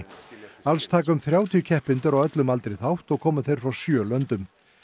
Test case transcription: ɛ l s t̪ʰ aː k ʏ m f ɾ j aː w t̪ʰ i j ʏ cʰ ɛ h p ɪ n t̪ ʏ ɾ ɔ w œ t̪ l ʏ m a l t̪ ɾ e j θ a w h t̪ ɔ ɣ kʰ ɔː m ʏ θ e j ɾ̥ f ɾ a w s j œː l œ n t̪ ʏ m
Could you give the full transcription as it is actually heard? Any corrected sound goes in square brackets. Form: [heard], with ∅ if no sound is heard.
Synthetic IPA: [a] l s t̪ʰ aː k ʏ m [θ] ɾ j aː w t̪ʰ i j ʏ cʰ ɛ h p ɪ n t̪ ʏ ɾ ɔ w œ t̪ l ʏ m a l t̪ ɾ e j θ a w h t̪ ɔ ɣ kʰ ɔː m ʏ θ e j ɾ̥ f ɾ a w s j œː l œ n t̪ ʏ m